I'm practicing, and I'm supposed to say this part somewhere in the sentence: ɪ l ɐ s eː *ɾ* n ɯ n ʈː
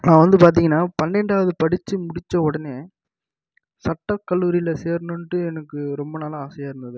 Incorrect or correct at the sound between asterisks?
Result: correct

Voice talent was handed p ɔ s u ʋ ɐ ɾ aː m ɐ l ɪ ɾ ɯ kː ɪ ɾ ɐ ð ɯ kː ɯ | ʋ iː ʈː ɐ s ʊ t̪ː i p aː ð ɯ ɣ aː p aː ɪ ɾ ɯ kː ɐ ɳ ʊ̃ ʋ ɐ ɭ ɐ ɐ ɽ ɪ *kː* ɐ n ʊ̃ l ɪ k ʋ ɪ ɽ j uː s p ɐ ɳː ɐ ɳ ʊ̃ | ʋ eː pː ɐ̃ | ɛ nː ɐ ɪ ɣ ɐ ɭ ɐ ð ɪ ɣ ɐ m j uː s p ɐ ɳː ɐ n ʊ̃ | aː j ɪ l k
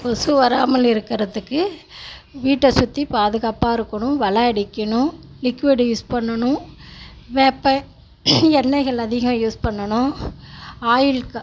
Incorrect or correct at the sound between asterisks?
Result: correct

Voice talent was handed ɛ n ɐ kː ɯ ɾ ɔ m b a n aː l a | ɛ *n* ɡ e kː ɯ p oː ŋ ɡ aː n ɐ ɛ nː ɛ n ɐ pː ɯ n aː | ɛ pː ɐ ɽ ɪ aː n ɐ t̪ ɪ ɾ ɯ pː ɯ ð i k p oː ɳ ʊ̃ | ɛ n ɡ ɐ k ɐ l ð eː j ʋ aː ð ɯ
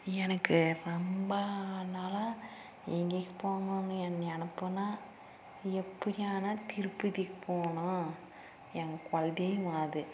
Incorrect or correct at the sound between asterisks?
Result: incorrect: ŋ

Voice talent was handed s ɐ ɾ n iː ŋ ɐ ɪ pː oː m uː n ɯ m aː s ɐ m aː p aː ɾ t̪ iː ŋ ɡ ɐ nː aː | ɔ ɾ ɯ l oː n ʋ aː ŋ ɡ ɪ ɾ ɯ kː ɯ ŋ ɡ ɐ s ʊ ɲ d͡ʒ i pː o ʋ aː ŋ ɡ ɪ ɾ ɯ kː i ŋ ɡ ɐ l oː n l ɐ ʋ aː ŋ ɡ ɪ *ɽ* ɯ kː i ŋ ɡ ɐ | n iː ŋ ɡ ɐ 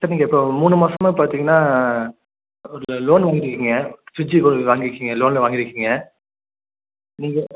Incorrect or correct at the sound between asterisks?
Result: incorrect: ɾ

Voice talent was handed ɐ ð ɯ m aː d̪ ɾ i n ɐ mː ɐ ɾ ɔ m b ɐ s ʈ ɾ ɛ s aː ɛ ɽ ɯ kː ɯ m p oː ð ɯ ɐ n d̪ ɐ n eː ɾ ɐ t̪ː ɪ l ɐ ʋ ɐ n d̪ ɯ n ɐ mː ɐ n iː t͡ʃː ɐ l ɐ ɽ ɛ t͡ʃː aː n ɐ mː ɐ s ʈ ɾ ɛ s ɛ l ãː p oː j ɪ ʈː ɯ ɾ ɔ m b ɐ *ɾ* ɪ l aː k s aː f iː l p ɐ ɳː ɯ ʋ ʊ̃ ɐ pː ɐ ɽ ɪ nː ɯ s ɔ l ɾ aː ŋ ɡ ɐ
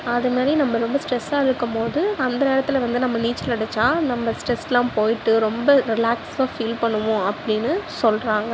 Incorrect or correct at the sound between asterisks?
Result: correct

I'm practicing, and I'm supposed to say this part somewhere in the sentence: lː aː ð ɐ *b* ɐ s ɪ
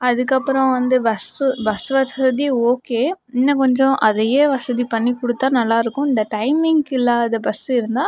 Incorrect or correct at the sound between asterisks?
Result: correct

